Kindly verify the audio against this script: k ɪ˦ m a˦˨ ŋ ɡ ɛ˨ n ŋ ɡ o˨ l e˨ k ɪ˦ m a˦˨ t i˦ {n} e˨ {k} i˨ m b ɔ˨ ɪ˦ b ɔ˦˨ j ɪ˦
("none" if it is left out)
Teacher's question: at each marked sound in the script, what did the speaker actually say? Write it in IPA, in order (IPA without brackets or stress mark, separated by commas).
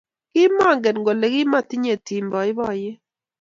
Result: ɲ, t